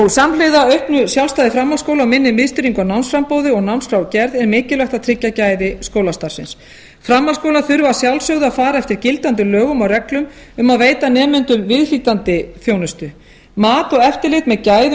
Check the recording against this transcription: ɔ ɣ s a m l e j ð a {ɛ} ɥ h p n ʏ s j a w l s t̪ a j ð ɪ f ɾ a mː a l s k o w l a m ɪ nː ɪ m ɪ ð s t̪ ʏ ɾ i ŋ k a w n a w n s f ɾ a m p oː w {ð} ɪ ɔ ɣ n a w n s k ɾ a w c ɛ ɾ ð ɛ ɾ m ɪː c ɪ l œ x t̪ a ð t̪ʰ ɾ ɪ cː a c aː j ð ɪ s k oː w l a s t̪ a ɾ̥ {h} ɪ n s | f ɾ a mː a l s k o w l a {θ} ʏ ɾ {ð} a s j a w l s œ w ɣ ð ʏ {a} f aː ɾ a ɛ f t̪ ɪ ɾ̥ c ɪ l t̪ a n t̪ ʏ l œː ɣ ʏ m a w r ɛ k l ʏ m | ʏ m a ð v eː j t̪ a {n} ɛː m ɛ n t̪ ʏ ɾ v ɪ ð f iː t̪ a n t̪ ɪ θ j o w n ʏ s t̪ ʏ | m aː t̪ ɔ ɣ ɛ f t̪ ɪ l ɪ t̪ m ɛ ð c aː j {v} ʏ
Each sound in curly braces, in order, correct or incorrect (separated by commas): incorrect, correct, incorrect, correct, incorrect, correct, correct, incorrect